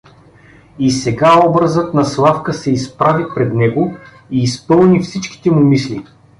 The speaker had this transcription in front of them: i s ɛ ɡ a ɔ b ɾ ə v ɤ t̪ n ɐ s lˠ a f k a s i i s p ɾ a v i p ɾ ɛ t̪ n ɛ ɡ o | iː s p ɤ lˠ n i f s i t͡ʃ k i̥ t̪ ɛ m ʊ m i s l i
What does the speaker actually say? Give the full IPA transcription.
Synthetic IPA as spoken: i s ɛ ɡ a ɔ b ɾ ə z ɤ t̪ n ɐ s lˠ a f k ə s ɛ i s p ɾ a v i p ɾ ɛ d̪ n ɛ ɡ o | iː s p ɤ lˠ n i f s i t͡ʃ k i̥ t̪ ɛ m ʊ m i s l i